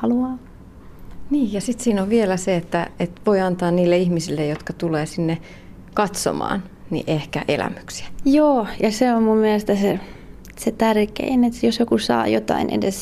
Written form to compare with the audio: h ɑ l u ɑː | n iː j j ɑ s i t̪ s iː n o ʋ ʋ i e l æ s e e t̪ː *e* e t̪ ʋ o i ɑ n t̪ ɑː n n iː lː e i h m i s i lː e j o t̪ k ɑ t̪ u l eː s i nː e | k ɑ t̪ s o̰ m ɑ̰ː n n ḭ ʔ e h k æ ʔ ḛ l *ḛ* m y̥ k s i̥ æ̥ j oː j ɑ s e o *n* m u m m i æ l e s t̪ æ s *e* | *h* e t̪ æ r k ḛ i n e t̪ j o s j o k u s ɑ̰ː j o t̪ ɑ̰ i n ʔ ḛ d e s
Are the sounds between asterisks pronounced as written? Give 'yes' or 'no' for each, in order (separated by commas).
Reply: no, no, no, yes, no